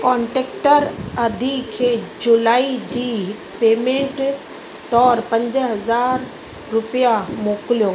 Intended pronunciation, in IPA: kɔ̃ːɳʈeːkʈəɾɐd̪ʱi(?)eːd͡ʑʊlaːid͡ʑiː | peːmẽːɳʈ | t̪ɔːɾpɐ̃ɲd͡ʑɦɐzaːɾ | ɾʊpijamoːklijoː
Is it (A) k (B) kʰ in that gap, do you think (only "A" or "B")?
B